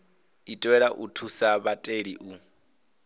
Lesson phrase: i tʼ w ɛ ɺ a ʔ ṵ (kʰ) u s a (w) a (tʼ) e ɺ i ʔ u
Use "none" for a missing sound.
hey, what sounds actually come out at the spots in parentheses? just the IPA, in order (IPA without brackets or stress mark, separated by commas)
tʰ, β, tʼ